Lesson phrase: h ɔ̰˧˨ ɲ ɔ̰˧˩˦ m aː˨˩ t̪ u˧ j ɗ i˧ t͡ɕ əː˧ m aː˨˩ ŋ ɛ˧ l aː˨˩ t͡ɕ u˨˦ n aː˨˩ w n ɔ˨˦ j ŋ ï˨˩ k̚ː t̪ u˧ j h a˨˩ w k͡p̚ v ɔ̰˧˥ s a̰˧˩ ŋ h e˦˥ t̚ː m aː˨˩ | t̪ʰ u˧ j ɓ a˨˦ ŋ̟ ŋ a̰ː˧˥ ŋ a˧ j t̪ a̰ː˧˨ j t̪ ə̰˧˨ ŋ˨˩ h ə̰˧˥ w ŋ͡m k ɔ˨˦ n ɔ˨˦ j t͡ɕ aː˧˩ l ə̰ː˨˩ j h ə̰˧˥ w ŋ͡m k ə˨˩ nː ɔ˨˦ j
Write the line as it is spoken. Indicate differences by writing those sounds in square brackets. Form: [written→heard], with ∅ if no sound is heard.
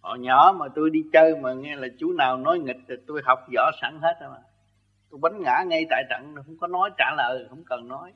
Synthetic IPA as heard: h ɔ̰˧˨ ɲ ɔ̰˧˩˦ m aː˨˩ t̪ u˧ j ɗ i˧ t͡ɕ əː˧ m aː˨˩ ŋ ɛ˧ l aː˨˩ t͡ɕ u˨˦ n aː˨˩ w n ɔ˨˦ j ŋ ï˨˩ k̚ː t̪ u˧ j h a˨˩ w k͡p̚ [v→z] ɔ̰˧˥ s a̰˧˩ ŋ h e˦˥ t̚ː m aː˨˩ | [t̪ʰ→t̪] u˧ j ɓ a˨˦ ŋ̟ ŋ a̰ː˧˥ ŋ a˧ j t̪ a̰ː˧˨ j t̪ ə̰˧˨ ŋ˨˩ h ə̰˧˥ w ŋ͡m k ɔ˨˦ n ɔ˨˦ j t͡ɕ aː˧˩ l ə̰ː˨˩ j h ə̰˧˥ w ŋ͡m k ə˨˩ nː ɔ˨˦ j